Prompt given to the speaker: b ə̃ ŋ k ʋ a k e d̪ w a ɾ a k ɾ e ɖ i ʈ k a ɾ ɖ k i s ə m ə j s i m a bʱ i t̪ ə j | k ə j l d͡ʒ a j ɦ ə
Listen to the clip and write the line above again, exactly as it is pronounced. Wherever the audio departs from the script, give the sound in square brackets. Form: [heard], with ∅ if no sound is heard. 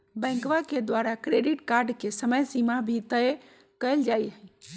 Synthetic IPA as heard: b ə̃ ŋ k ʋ a k e d̪ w a ɾ a k ɾ e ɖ i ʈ k a ɾ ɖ k [e] s ə m ə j s i m a bʱ i t̪ ə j | k ə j l d͡ʒ a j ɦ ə